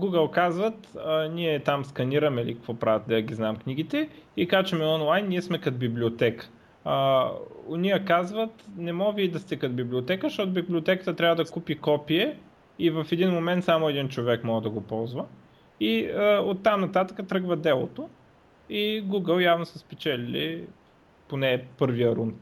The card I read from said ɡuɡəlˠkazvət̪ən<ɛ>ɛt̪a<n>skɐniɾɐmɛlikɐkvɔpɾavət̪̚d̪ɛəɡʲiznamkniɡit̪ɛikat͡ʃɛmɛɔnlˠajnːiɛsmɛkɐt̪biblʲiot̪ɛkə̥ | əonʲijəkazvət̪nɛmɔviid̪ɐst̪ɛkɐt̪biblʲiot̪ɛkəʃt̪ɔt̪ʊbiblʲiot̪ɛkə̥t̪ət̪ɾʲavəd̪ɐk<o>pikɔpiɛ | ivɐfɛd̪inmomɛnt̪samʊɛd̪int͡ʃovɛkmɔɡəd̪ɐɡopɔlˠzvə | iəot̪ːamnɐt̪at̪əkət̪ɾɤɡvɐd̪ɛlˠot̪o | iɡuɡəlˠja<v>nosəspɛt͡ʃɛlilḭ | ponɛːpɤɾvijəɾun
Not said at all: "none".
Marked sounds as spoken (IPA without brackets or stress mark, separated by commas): i, m, u, v